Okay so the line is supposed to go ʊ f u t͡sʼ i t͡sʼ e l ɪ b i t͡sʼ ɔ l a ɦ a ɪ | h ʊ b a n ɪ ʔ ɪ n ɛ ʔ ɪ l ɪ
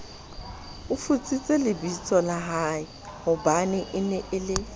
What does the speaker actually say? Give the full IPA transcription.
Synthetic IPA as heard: ʊ f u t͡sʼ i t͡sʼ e l ɪ b i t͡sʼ ɔ l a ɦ a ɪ | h ʊ b a n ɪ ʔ ɪ n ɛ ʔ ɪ l ɪ